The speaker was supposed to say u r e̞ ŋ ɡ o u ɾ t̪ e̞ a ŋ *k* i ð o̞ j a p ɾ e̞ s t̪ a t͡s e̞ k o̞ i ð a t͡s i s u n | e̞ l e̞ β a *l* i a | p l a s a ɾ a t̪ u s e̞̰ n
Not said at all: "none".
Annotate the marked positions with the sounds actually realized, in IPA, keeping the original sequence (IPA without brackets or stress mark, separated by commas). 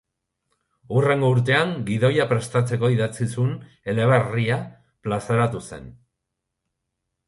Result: ɡ, r